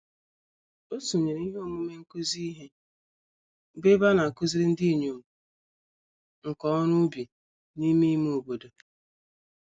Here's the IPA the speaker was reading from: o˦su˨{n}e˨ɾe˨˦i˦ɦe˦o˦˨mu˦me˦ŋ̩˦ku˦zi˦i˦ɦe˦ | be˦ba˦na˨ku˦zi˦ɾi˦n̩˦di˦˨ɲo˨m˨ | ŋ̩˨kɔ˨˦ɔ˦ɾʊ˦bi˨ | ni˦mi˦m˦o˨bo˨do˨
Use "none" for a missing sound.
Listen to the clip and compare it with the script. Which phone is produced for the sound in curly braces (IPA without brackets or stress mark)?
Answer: ɲ